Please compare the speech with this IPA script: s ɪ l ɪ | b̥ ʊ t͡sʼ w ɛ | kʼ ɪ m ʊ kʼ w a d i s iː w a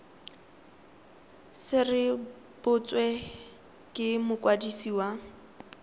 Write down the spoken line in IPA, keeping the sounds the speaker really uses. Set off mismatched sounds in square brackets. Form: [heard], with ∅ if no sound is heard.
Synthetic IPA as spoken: s ɪ [r] ɪ | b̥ ʊ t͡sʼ w ɛ | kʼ ɪ m ʊ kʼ w a d i s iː w a